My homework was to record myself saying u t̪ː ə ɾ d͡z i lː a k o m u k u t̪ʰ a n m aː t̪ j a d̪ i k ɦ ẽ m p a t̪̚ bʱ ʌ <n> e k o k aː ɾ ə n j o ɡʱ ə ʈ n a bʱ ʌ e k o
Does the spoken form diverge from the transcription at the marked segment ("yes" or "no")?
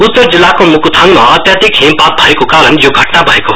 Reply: yes